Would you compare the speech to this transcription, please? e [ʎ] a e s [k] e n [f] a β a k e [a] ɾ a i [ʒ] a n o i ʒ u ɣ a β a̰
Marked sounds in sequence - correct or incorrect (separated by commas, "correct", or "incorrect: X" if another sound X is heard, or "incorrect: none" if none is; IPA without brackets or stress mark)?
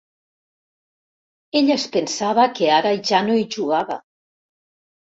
correct, incorrect: p, incorrect: s, correct, correct